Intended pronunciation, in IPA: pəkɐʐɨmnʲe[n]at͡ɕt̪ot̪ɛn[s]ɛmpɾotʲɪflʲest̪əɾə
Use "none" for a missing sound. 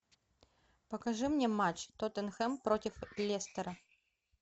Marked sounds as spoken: m, x

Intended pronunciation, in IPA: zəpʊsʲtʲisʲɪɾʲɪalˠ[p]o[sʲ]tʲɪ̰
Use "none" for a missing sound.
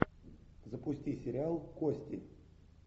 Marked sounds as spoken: k, sʲ

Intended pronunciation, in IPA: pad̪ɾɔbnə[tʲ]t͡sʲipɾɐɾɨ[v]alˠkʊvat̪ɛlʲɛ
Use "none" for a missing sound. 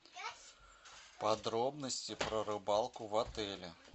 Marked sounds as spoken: sʲ, b

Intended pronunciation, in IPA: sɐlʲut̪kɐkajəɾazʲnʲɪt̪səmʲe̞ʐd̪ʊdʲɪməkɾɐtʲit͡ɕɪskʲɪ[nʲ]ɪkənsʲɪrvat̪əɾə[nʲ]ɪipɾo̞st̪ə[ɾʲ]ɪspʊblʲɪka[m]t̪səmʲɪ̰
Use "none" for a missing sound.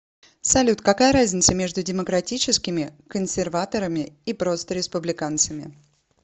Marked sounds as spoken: mʲ, mʲ, ɾʲ, n

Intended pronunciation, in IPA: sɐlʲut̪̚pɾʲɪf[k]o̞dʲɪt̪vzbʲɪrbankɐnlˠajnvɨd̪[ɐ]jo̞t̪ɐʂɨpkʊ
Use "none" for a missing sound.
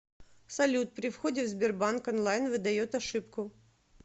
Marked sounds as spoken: x, ɐ

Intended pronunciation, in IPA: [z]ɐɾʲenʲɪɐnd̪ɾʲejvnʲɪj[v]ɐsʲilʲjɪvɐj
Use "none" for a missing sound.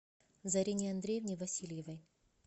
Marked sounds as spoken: z, v

